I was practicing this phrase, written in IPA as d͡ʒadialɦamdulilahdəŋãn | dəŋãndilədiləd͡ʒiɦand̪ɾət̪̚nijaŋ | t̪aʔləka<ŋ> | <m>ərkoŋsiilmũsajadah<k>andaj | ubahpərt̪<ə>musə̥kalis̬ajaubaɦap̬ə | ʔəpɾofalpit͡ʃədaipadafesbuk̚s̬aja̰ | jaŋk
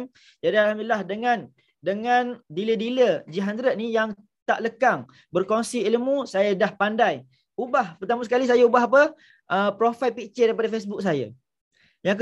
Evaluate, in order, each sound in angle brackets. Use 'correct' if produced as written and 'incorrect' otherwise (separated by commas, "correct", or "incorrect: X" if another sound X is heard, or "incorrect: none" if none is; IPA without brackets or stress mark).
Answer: correct, incorrect: b, incorrect: p, incorrect: a